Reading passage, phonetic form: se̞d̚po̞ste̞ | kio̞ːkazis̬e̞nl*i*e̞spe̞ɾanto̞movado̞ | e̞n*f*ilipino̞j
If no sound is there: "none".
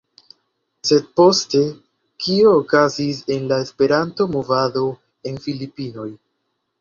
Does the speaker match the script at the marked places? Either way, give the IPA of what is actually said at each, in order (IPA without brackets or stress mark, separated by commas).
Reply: a, f